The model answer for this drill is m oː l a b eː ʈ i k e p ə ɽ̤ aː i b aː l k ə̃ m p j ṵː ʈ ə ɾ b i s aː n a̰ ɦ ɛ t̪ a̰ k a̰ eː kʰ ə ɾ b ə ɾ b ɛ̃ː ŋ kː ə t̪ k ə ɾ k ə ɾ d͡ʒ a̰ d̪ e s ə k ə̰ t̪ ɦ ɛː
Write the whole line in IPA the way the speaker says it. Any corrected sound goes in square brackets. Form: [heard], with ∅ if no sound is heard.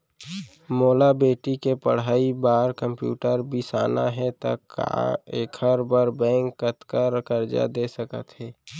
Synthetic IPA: m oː l a b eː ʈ i k e p ə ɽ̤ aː i b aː [ɾ] k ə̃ m p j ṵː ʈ ə ɾ b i s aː n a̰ ɦ ɛ t̪ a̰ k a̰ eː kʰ ə ɾ b ə ɾ b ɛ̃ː ŋ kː ə t̪ k ə ɾ k ə ɾ d͡ʒ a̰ d̪ e s ə k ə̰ t̪ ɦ ɛː